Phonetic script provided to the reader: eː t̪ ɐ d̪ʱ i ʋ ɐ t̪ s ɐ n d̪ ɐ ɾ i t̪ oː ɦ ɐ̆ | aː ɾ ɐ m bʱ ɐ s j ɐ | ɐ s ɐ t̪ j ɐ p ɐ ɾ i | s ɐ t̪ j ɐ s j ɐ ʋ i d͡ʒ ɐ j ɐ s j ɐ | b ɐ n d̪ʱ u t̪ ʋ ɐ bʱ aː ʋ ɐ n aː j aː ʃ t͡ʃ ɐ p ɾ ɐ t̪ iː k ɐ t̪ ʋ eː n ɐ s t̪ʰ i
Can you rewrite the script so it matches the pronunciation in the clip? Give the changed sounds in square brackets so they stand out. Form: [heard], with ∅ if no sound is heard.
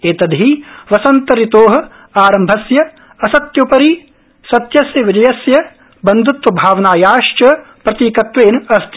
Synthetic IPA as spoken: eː t̪ ɐ d̪ʱ i ʋ ɐ [∅] s ɐ n [t̪] ɐ ɾ i t̪ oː ɦ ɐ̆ | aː ɾ ɐ m bʱ ɐ s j ɐ | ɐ s ɐ t̪ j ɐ p ɐ ɾ i | s ɐ t̪ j ɐ s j ɐ ʋ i d͡ʒ ɐ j ɐ s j ɐ | b ɐ n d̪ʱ u t̪ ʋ ɐ bʱ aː ʋ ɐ n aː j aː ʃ t͡ʃ ɐ p ɾ ɐ t̪ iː k ɐ t̪ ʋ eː n ɐ s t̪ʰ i